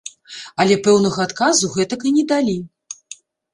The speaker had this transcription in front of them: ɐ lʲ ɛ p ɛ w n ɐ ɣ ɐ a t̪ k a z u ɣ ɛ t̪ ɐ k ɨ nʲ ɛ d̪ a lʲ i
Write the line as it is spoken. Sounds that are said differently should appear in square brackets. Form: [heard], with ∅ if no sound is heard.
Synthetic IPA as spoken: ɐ lʲ ɛ p ɛ w n ɐ ɣ ɐ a t̪ k a z u ɣ ɛ t̪ ɐ k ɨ nʲ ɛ d̪ a lʲ i

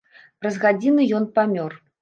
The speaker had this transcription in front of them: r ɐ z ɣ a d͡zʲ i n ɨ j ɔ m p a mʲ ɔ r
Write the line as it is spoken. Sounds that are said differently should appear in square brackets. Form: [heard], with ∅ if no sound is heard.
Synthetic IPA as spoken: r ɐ z ɣ a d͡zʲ i n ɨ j ɔ [n] p a mʲ ɔ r

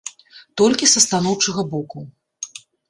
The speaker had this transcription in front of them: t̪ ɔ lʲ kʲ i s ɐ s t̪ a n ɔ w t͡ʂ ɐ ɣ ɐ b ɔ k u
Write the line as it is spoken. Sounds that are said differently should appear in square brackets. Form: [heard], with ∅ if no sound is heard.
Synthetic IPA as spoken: t̪ ɔ lʲ kʲ i s ɐ s t̪ a n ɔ w t͡ʂ ɐ ɣ ɐ b ɔ k u

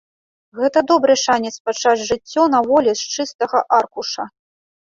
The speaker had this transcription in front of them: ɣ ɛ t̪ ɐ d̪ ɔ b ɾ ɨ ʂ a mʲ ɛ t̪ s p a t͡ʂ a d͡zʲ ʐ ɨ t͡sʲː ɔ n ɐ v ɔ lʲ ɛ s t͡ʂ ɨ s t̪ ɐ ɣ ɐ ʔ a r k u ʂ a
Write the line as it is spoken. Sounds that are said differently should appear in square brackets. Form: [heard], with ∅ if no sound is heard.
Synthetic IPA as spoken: ɣ ɛ t̪ ɐ d̪ ɔ b ɾ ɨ ʂ a [nʲ] ɛ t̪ s p a t͡ʂ a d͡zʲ ʐ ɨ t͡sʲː ɔ n ɐ v ɔ lʲ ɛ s t͡ʂ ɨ s t̪ ɐ ɣ ɐ ʔ a r k u ʂ [ɐ]

